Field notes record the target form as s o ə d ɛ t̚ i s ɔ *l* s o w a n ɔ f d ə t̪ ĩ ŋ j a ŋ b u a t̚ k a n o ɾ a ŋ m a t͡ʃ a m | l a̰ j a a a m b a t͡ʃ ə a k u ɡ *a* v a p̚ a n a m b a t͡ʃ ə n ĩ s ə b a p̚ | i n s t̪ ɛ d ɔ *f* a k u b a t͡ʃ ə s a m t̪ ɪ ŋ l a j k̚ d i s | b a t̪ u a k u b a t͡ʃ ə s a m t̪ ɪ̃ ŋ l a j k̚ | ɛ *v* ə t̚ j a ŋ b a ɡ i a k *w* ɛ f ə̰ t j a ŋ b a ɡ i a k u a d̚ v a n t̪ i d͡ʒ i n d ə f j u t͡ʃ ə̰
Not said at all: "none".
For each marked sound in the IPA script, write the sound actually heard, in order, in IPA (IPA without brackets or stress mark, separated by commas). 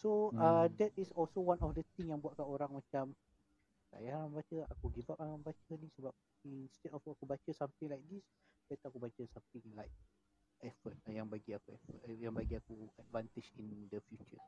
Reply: l, i, f, f, u